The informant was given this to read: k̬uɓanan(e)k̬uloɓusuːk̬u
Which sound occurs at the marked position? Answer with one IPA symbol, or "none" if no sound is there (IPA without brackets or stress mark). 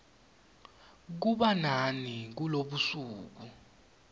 i